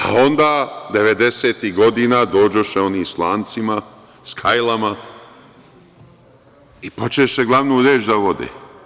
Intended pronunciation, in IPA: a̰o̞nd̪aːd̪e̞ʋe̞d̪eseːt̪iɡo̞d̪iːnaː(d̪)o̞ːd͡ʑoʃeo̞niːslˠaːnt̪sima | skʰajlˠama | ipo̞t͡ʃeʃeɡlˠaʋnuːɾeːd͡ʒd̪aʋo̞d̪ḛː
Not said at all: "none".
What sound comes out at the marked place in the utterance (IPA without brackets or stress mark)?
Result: d̪